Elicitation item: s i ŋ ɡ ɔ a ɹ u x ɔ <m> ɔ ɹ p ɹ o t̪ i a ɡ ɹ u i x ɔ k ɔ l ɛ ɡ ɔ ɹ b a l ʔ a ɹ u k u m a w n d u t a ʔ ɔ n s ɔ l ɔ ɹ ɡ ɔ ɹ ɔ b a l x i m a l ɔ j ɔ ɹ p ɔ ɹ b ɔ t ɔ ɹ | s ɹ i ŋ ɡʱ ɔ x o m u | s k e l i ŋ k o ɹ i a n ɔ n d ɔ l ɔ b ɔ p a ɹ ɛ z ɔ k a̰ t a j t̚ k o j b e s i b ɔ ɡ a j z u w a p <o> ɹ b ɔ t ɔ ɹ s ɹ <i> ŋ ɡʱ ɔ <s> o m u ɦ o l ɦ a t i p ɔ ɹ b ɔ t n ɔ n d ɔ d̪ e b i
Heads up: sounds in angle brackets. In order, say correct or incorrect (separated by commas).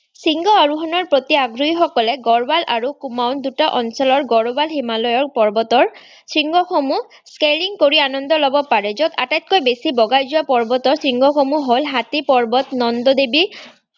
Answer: incorrect, incorrect, correct, incorrect